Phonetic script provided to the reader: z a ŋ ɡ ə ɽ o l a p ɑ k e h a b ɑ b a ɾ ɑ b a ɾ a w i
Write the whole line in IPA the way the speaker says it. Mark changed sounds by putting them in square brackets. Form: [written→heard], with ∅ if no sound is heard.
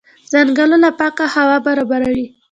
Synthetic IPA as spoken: z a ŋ ɡ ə [ɽ→l] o l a p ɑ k [e→a] h a [b→w] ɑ b a ɾ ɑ b a ɾ a w i